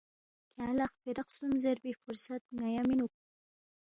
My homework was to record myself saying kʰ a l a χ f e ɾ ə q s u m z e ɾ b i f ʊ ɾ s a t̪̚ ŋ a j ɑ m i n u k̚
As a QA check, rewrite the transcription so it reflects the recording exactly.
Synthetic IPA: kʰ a l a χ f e ɾ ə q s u m z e ɾ b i f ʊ ɾ s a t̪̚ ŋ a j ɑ m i n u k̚